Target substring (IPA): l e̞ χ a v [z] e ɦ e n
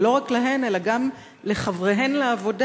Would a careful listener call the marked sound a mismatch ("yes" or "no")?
yes